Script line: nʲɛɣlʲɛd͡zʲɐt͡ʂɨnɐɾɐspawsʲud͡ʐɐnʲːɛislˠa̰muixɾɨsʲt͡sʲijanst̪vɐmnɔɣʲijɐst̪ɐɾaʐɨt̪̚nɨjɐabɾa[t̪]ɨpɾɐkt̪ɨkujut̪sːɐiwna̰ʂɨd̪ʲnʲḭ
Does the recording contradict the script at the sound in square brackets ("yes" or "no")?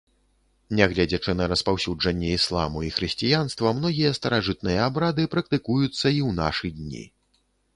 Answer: yes